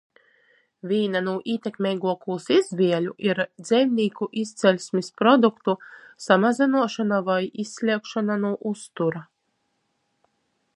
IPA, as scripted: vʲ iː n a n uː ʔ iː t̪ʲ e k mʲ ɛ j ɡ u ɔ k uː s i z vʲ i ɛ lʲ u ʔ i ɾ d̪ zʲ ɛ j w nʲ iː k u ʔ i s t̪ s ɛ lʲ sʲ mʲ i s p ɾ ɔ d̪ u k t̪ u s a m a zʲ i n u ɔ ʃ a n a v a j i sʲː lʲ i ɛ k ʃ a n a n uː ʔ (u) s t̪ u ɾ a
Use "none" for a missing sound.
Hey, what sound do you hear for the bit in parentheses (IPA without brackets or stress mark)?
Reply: u